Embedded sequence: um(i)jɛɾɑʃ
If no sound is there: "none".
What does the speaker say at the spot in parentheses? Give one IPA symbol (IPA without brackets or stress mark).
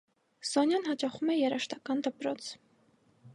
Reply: ɛ